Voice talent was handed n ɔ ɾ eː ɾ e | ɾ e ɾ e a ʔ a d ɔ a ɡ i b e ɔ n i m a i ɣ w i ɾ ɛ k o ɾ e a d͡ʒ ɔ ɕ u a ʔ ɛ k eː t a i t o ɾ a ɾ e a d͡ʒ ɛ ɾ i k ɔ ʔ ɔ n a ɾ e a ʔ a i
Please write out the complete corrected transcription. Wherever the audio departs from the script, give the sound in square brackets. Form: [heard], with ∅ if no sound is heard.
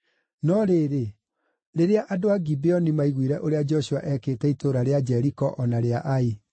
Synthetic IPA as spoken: n ɔ ɾ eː ɾ e | ɾ e ɾ e a ʔ a d [o] a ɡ i b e ɔ n i m a i ɣ w i ɾ ɛ [ʔ] o ɾ e a d͡ʒ ɔ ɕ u a ʔ ɛ k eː t [ɛ] i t o ɾ a ɾ e a d͡ʒ ɛ ɾ i k ɔ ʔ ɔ n a ɾ e a ʔ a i